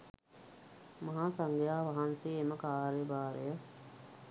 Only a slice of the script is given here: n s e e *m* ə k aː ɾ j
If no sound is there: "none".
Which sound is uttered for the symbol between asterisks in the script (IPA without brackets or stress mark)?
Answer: m